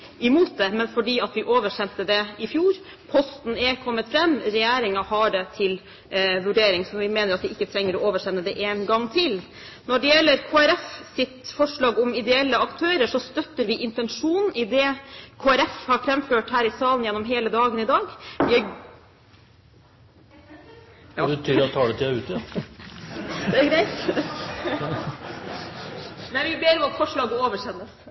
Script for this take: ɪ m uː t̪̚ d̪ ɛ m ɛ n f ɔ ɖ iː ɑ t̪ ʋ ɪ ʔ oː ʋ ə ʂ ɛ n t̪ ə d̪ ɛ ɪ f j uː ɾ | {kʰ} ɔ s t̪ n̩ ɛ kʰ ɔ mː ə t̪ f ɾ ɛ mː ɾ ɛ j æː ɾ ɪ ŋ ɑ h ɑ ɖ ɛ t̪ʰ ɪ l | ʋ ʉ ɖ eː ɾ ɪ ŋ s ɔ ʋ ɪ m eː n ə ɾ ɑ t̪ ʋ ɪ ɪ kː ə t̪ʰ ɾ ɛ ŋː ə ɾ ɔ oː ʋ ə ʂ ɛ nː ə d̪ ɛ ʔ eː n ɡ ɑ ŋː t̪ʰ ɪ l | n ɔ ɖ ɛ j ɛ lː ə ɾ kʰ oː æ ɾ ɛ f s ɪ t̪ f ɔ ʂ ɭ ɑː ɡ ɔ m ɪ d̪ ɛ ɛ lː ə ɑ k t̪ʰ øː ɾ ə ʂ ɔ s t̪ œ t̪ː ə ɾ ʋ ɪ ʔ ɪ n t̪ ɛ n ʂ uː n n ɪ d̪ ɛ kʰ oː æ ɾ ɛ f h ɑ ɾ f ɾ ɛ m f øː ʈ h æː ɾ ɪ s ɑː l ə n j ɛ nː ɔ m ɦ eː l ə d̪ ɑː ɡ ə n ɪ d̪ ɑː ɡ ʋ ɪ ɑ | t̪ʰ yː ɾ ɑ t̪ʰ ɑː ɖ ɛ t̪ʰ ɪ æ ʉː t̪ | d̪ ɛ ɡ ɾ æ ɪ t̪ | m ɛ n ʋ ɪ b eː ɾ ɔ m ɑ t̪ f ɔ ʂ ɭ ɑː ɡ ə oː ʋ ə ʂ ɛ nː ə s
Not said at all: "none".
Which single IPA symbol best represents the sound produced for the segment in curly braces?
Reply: pʰ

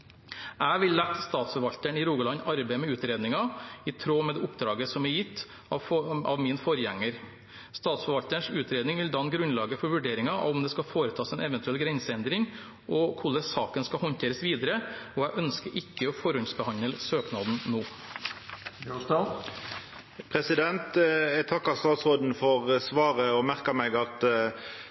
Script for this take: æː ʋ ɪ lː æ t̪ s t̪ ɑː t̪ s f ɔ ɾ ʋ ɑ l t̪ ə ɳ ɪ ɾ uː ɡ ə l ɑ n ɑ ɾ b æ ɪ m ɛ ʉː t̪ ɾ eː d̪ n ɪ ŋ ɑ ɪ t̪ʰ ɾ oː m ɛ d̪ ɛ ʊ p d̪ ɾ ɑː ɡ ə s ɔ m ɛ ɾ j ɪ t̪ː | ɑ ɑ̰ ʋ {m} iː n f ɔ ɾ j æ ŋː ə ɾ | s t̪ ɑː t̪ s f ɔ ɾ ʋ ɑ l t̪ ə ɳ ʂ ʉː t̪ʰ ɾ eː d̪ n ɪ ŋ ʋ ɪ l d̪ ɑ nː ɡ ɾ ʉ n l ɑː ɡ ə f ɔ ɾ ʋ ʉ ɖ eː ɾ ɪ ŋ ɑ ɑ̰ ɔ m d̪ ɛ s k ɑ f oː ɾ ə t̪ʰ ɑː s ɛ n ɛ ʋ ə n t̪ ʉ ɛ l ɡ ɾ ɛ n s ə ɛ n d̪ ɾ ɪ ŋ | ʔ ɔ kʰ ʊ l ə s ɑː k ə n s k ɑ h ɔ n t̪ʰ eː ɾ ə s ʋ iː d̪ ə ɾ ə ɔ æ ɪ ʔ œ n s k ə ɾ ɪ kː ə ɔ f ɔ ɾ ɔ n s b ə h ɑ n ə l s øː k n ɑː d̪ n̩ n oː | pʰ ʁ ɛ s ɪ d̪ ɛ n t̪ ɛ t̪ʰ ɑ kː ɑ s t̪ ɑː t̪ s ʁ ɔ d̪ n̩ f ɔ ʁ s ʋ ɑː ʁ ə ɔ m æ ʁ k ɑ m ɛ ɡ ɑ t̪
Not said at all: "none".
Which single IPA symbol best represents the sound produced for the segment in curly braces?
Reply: m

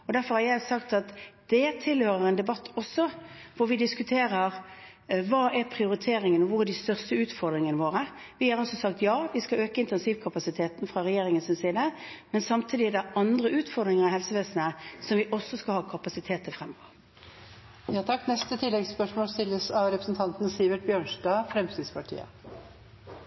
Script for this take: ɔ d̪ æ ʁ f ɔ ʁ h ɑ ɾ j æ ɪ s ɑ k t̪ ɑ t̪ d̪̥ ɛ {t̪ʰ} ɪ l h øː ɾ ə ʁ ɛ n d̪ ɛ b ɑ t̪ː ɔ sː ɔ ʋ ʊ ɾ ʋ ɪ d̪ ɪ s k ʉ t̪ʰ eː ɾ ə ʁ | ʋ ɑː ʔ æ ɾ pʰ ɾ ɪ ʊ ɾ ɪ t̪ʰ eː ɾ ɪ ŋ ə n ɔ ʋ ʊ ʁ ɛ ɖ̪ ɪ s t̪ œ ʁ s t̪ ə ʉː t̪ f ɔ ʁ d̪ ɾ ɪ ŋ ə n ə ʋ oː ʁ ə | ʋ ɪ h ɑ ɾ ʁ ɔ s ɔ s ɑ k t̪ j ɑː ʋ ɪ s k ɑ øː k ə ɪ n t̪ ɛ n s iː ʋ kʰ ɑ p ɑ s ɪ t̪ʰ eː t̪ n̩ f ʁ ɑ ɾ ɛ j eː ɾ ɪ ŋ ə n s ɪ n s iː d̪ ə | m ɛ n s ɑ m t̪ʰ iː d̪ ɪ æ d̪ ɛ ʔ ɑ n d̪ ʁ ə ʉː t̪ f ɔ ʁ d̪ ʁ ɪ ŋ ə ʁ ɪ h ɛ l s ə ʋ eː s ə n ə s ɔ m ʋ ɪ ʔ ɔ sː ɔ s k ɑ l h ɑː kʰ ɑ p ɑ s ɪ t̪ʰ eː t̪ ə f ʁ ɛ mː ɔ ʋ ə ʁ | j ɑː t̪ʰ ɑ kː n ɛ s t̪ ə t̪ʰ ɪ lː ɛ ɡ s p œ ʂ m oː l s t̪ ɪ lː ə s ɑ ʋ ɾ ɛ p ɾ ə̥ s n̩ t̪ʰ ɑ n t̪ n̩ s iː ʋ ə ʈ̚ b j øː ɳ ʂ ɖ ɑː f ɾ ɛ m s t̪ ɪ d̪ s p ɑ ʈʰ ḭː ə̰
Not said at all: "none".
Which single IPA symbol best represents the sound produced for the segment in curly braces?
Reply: t̪ʰ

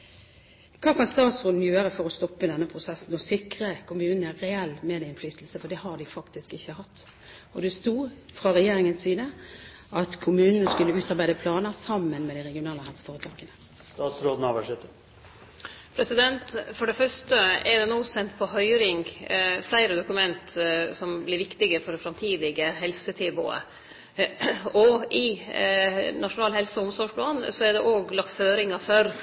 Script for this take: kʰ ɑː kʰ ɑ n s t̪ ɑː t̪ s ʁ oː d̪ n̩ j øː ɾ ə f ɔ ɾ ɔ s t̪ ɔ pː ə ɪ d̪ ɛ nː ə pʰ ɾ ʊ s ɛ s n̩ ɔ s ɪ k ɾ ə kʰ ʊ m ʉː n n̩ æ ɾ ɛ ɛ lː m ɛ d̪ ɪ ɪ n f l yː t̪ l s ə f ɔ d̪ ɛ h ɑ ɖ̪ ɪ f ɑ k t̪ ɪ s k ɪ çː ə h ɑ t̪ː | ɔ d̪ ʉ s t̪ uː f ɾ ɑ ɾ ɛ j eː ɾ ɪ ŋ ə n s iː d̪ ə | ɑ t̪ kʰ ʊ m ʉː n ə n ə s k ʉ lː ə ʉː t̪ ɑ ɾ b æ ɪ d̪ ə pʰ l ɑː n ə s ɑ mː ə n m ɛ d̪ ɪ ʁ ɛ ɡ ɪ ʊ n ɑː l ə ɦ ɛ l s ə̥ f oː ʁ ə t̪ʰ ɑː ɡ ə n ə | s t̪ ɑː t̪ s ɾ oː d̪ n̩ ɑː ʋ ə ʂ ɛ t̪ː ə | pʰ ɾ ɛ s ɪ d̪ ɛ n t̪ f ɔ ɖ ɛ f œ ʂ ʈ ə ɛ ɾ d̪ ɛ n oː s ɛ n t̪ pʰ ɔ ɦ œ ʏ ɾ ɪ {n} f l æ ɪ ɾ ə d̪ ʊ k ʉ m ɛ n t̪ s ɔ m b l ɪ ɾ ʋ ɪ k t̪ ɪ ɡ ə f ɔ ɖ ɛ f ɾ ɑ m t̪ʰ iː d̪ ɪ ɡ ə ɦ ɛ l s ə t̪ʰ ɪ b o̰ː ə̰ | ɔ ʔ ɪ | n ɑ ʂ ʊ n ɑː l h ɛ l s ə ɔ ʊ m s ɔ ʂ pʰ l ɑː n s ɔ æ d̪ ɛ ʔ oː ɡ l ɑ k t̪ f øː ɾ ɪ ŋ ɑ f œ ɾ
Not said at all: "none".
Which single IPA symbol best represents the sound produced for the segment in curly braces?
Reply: ŋ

